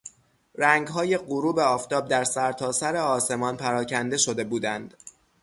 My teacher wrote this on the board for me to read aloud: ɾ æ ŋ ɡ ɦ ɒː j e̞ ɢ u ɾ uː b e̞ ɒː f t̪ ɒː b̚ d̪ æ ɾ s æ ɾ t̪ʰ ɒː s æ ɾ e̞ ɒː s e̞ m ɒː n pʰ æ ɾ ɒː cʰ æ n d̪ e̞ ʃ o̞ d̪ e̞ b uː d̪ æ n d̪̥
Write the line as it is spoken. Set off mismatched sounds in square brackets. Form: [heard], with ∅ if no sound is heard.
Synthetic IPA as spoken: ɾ æ ŋ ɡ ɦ ɒː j e̞ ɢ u ɾ uː b e̞ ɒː f t̪ ɒː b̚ d̪ æ ɾ s æ ɾ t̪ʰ ɒː s æ ɾ e̞ ɒː s e̞ m ɒː n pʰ æ ɾ ɒː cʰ æ n d̪ e̞ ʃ o̞ d̪ e̞ b uː d̪ æ n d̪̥